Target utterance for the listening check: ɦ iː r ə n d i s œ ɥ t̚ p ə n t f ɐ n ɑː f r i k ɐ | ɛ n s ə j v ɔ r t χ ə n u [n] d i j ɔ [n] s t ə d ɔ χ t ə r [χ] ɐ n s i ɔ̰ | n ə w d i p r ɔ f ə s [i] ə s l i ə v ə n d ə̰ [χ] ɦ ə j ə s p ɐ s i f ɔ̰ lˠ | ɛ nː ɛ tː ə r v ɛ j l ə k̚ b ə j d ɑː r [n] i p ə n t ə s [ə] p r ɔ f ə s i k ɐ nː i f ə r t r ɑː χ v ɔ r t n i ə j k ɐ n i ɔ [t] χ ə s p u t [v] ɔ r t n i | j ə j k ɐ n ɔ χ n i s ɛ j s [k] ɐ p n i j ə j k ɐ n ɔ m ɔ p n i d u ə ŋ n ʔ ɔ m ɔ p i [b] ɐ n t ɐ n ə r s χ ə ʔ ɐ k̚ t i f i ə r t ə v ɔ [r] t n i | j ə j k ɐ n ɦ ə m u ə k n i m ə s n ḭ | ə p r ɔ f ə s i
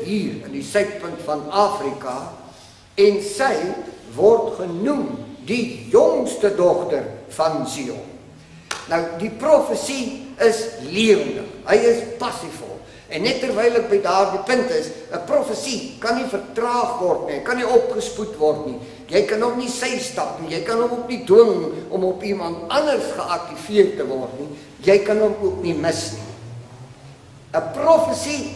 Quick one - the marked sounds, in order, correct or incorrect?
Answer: incorrect: m, incorrect: ŋ, incorrect: f, correct, correct, incorrect: d, correct, incorrect: p, correct, incorrect: t, incorrect: m, correct

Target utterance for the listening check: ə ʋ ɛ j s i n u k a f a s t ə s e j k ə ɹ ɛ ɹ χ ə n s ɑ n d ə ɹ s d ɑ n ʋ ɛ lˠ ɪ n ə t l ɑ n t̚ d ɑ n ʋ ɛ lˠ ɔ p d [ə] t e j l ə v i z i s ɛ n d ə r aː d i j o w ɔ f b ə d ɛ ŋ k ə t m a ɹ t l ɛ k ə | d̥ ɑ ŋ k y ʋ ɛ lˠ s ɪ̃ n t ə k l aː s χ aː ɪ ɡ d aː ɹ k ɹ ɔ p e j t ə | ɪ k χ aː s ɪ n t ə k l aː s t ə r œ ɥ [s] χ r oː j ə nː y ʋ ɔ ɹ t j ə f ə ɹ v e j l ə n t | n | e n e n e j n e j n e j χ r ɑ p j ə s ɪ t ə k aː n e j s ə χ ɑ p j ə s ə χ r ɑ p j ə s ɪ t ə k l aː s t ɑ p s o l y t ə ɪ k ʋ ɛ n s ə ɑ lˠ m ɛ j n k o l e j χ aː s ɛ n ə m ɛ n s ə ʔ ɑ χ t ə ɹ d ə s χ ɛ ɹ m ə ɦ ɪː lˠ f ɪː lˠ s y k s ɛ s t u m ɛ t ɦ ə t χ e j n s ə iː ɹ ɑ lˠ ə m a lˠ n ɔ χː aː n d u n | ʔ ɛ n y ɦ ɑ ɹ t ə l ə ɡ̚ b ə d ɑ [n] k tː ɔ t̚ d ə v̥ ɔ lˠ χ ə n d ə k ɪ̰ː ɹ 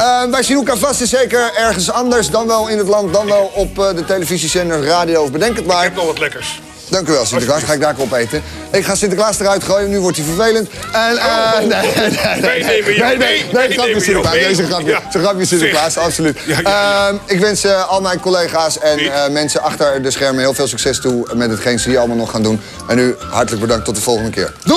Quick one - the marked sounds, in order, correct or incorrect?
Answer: correct, incorrect: t, incorrect: ŋ

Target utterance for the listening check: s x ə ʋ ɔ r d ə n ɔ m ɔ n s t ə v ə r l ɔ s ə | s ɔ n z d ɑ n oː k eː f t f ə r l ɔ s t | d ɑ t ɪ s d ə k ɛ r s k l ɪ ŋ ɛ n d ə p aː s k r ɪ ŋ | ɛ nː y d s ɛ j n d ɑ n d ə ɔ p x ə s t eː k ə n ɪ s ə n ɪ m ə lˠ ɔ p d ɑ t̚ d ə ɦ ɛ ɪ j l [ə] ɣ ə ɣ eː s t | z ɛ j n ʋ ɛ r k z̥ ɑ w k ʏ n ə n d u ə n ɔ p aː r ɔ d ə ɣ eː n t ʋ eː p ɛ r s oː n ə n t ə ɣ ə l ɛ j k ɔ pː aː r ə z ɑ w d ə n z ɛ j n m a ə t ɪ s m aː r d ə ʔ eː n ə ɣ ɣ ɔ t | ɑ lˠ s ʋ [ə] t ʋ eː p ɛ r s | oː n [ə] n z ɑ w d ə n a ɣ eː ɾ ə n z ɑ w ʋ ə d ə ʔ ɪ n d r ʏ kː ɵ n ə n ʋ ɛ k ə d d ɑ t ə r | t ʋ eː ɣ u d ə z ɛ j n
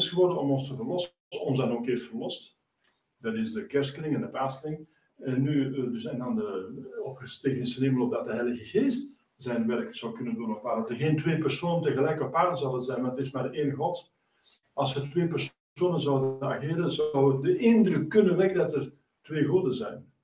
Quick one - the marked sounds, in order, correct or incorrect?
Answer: correct, correct, correct

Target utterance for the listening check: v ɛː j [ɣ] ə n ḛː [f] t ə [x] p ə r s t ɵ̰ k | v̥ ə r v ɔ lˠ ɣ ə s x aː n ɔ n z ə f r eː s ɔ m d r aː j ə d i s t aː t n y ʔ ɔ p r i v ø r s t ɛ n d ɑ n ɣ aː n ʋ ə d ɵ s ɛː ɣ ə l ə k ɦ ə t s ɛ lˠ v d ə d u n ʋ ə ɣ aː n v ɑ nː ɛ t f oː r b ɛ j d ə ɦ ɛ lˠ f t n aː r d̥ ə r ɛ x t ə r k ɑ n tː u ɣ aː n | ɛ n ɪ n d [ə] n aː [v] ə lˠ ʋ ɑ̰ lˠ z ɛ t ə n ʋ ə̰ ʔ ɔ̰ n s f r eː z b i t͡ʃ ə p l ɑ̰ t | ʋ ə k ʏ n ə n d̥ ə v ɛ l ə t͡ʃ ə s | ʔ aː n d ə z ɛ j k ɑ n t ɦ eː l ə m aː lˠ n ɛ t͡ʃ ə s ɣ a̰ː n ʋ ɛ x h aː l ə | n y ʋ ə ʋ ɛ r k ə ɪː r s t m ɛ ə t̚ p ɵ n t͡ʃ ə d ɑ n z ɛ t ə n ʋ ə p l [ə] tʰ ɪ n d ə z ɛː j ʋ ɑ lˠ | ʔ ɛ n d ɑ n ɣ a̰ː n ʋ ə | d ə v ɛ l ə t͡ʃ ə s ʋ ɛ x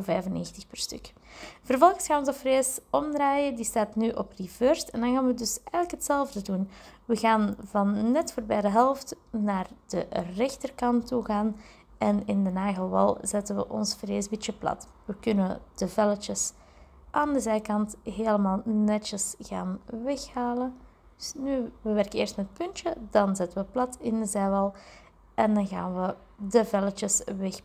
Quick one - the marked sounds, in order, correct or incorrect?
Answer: incorrect: v, incorrect: x, correct, correct, incorrect: ɣ, incorrect: ɑ

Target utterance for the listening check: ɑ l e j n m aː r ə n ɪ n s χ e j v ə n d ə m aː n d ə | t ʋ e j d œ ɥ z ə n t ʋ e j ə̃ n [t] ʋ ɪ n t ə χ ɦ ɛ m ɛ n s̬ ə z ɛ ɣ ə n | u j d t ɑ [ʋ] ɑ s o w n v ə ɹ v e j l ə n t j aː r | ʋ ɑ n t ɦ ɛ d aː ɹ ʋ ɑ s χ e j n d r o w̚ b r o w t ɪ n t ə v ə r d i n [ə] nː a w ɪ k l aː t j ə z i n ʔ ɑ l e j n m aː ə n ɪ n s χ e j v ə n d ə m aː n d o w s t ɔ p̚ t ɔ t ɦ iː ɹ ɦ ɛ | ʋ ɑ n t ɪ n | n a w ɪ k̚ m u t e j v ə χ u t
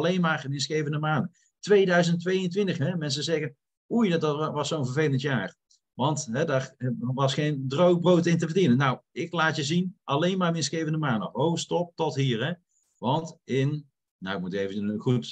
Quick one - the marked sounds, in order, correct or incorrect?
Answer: correct, correct, correct

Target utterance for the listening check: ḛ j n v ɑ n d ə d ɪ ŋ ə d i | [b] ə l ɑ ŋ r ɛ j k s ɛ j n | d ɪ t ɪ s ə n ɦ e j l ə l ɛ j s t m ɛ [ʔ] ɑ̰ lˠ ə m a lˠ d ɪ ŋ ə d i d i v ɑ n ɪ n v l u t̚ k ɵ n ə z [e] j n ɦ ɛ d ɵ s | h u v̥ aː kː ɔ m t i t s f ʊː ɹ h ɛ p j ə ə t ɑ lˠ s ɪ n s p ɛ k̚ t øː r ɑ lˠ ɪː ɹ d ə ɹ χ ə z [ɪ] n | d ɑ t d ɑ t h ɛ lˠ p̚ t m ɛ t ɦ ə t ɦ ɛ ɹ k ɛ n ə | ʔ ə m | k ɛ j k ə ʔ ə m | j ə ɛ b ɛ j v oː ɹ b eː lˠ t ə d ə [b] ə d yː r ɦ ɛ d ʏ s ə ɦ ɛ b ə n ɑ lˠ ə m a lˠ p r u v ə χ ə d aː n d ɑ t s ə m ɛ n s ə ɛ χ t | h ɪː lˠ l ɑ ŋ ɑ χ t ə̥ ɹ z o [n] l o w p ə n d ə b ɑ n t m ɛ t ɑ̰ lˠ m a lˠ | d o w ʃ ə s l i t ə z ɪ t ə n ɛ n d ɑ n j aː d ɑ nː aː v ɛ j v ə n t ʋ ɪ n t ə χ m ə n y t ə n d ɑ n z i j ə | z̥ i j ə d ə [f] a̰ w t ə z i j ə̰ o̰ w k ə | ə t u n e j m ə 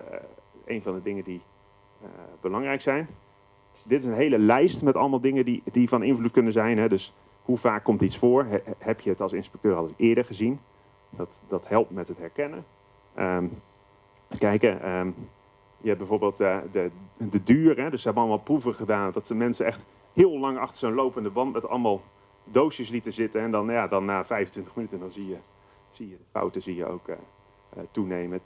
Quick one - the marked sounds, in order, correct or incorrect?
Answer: correct, incorrect: t, incorrect: ɛ, incorrect: i, incorrect: d, correct, correct

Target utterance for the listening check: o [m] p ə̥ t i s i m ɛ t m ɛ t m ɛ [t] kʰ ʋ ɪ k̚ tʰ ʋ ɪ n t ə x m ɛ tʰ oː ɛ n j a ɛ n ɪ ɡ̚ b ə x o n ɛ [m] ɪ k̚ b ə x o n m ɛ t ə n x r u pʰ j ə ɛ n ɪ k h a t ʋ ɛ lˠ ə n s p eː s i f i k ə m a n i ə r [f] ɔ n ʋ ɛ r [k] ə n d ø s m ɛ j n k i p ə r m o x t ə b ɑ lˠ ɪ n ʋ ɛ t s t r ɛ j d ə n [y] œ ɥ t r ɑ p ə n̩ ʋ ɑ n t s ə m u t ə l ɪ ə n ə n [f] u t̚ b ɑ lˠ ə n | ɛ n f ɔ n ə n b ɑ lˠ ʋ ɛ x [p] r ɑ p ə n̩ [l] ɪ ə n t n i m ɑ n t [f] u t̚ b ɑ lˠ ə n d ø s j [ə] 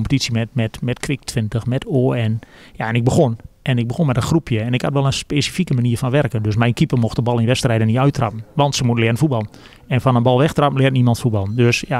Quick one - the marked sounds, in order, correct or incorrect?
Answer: correct, correct, incorrect: n, correct, correct, incorrect: i, correct, incorrect: t, correct, correct, incorrect: a

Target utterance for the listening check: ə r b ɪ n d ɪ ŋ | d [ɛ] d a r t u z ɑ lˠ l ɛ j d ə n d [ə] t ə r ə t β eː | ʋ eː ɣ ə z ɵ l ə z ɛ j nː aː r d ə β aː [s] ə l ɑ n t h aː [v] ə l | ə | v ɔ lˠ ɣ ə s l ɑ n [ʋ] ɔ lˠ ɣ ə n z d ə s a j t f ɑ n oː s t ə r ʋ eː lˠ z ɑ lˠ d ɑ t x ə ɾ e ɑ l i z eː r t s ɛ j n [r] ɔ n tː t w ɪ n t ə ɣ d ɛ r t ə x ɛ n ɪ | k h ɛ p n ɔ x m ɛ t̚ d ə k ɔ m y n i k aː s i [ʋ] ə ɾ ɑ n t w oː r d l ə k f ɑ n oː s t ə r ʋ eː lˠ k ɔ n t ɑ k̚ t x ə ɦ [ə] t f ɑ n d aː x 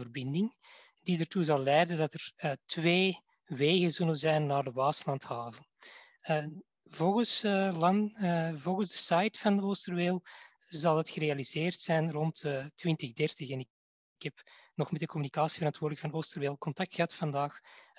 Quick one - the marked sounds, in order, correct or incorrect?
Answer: incorrect: i, incorrect: ɑ, correct, correct, incorrect: v, correct, incorrect: v, incorrect: ɑ

